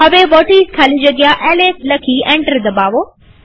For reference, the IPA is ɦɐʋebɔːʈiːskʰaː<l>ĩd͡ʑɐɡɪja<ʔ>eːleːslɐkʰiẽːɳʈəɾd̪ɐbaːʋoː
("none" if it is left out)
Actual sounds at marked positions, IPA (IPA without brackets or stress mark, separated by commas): l, ʔ